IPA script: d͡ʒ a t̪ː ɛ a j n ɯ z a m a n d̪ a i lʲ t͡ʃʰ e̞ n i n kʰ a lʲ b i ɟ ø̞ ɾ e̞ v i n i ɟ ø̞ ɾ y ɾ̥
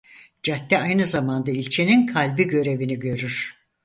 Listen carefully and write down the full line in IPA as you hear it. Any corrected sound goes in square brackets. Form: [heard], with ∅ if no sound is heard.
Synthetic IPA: d͡ʒ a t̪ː ɛ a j n ɯ z a m a n d̪ a i lʲ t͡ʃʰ e̞ n i n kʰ a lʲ b i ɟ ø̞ ɾ e̞ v i n i ɟ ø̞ ɾ y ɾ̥